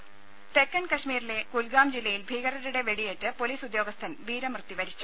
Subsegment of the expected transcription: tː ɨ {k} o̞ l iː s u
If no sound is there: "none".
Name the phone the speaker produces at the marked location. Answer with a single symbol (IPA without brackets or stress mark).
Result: p